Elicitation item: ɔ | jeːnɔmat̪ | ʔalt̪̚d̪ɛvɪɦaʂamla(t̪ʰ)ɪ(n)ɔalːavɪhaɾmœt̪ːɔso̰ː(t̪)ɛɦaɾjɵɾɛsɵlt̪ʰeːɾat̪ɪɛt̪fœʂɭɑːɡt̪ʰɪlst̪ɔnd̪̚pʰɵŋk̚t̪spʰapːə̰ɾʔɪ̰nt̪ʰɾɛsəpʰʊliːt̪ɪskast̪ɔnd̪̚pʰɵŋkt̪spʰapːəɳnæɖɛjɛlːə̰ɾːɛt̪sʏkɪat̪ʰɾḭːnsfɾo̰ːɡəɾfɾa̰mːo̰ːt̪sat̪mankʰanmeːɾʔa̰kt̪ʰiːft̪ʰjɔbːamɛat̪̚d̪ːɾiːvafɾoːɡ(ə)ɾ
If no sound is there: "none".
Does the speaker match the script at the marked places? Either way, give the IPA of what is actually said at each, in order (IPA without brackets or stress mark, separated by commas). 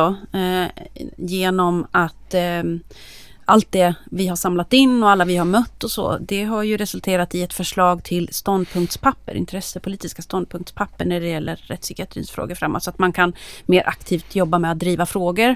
t̪, nː, d̪, ə